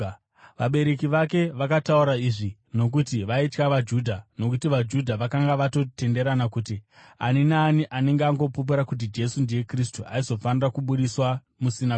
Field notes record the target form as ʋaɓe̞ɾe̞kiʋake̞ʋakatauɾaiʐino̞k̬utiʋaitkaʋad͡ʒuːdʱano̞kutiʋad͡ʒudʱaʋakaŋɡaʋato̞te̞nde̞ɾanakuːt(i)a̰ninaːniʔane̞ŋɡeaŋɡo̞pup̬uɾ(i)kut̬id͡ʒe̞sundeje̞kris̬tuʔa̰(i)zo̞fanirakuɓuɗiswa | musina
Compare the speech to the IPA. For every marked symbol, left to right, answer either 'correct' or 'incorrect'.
correct, incorrect: a, correct

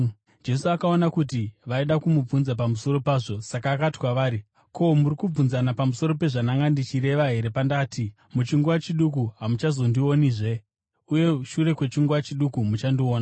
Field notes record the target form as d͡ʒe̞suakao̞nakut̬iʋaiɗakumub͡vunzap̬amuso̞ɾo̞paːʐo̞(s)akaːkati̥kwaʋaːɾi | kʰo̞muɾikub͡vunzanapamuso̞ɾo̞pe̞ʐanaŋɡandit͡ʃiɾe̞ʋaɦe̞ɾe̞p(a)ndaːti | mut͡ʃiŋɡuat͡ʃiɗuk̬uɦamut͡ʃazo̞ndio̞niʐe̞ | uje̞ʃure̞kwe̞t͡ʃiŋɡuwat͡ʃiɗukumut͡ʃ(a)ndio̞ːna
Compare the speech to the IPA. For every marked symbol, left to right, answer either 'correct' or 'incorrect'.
correct, correct, correct

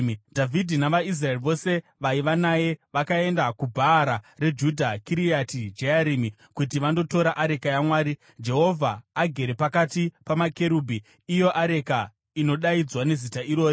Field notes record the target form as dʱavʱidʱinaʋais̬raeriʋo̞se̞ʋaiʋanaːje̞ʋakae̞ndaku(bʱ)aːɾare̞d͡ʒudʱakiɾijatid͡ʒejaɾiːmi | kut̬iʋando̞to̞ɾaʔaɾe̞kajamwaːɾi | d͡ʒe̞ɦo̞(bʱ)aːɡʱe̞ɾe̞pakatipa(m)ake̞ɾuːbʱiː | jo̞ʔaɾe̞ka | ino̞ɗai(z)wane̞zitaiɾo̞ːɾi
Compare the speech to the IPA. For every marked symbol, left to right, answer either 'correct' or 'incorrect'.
correct, incorrect: vʱ, correct, incorrect: d͡z

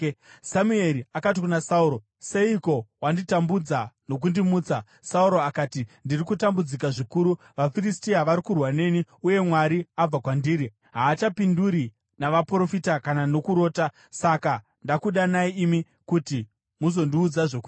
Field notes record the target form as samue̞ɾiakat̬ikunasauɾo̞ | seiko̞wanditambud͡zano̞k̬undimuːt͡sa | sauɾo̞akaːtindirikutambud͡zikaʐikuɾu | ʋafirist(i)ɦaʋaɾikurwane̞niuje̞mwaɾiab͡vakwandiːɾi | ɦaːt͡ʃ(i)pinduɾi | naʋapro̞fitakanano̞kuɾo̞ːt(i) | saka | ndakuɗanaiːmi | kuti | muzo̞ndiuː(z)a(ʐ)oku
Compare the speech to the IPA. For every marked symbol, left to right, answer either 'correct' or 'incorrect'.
correct, incorrect: a, incorrect: a, incorrect: d͡z, correct

